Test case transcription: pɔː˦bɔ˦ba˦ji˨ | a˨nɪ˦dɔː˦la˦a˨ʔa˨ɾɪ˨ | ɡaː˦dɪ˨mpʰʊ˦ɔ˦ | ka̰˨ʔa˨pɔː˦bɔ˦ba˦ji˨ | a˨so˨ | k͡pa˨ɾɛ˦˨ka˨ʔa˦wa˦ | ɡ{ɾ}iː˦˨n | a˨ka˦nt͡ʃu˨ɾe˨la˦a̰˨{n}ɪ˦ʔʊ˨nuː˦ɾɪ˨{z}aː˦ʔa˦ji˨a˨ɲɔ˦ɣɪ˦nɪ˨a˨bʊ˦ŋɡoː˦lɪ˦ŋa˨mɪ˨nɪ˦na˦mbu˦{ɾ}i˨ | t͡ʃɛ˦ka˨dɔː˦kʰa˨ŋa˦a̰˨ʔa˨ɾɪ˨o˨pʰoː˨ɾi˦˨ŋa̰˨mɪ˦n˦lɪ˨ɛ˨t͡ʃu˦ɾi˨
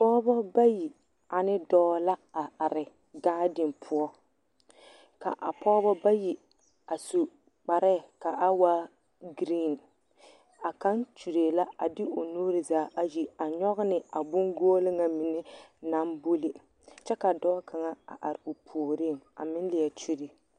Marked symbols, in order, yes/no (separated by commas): yes, no, yes, no